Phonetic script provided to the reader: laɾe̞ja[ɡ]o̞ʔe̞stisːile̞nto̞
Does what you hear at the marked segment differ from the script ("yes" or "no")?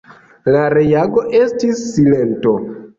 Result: no